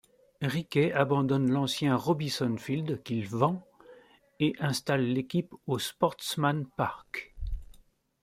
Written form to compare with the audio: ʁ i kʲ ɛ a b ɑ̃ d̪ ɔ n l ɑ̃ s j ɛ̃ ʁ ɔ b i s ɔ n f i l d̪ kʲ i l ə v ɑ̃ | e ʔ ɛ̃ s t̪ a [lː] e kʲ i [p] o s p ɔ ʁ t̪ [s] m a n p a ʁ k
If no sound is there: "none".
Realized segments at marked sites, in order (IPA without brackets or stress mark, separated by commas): lː, p, s